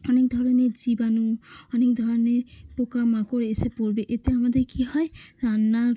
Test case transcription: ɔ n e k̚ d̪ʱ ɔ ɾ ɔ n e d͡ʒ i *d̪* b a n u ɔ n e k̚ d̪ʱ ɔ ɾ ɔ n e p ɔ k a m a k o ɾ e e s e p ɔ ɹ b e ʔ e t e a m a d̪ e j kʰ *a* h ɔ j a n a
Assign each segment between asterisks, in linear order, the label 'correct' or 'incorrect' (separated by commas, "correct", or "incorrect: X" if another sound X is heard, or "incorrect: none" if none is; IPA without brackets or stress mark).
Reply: incorrect: none, incorrect: i